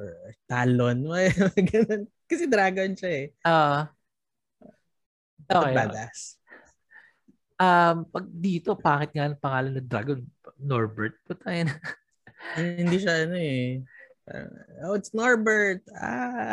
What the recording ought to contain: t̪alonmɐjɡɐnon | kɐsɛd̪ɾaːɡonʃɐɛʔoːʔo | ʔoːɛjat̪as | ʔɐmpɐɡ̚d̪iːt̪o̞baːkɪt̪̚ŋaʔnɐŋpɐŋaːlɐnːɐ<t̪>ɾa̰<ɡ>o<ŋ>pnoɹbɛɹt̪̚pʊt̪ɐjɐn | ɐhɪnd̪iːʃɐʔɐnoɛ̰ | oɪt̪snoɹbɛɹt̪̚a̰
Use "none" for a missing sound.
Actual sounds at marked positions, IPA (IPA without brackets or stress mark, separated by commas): d̪, ɡ, n